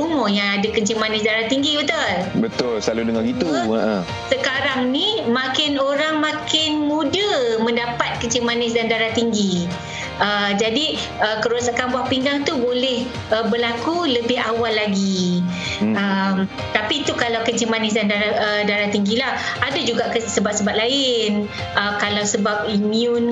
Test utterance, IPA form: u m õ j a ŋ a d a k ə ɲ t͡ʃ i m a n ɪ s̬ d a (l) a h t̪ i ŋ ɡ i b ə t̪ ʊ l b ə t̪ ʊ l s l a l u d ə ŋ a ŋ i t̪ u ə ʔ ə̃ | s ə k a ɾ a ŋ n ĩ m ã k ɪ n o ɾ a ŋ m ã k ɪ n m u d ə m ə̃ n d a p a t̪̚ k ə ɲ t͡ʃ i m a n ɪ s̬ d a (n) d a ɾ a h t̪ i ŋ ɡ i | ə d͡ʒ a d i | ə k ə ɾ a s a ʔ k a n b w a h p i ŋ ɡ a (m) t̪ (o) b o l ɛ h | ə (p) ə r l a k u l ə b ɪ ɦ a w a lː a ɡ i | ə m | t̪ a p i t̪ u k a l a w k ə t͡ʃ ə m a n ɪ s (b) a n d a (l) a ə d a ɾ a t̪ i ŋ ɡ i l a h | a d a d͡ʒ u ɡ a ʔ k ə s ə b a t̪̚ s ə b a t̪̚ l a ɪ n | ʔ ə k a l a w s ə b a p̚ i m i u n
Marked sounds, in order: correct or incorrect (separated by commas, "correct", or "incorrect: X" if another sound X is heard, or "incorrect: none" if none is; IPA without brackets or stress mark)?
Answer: incorrect: ɾ, correct, incorrect: ŋ, incorrect: u, incorrect: b, incorrect: d, incorrect: ɾ